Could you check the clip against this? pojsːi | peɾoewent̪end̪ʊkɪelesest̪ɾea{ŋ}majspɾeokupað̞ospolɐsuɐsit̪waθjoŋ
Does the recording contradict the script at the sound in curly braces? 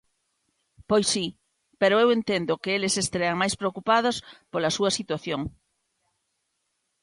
no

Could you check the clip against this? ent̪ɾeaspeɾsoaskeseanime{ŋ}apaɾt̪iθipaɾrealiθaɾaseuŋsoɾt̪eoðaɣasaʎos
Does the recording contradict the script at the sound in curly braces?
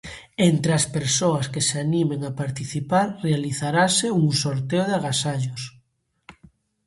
no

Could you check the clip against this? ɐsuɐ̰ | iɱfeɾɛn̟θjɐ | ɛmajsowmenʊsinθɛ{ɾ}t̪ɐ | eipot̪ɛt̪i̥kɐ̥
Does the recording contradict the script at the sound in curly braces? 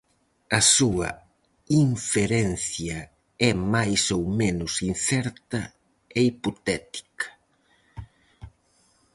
no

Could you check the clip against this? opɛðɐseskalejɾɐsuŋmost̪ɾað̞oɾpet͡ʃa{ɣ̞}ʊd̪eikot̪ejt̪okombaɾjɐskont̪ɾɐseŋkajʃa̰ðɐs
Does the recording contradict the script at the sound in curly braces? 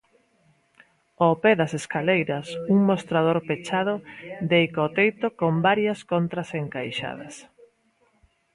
yes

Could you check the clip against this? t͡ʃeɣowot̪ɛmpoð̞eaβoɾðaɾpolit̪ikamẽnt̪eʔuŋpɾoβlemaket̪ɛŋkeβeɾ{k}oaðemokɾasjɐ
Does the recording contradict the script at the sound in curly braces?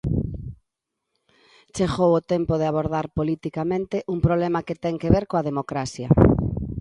no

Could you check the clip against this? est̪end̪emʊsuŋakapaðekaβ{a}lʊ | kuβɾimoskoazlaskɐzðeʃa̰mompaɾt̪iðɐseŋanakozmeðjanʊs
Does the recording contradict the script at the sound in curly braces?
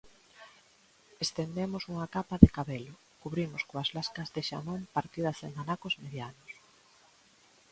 yes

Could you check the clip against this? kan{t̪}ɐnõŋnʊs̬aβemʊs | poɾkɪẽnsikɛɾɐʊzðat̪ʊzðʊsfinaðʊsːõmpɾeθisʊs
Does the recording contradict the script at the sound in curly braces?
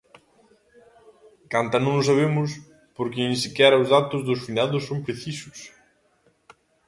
no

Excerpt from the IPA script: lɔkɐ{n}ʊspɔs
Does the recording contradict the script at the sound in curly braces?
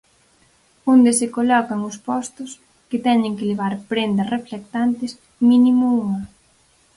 yes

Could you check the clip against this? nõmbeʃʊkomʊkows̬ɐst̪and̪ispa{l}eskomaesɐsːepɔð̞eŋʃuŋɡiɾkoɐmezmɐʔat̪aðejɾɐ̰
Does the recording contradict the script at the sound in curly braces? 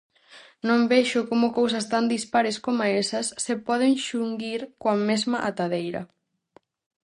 yes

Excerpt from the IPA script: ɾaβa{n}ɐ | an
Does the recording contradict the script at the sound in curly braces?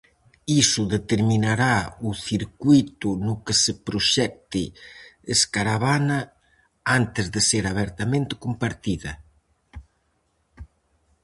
no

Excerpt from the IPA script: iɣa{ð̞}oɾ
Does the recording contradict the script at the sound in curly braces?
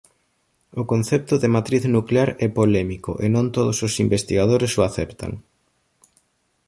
no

